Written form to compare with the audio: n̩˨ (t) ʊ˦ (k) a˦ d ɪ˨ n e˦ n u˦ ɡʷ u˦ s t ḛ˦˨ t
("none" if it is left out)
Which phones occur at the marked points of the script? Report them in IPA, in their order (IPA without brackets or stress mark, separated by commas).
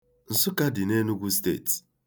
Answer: s, k